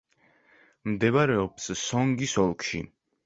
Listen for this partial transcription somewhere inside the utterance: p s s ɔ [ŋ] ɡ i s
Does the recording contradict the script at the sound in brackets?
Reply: no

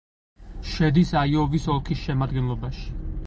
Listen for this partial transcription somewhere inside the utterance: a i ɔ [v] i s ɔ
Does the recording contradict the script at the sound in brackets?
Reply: no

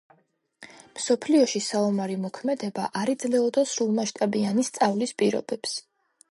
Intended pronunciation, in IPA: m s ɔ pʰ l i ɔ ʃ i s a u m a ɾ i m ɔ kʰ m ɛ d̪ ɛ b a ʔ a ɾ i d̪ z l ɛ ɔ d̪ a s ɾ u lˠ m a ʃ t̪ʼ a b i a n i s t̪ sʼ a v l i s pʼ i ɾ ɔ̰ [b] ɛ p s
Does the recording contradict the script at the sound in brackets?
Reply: no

